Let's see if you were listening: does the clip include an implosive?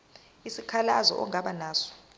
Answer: yes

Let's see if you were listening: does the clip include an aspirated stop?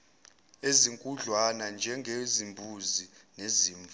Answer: no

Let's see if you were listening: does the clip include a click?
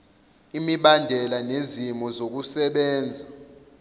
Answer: no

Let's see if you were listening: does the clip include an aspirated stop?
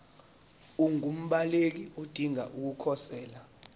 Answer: yes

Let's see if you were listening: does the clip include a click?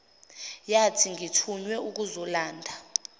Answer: no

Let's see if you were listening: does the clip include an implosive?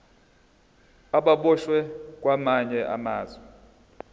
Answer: yes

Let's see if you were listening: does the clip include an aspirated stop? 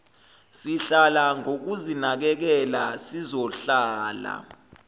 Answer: no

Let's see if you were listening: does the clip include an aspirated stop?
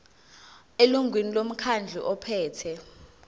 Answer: yes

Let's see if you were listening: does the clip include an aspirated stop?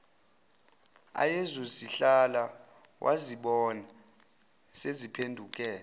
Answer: yes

